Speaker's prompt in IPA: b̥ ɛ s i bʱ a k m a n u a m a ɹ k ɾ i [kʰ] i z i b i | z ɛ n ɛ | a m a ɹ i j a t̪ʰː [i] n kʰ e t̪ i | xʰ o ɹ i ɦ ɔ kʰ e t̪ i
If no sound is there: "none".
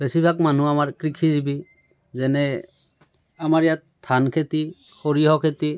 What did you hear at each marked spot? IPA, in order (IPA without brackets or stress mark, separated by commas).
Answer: kʰ, a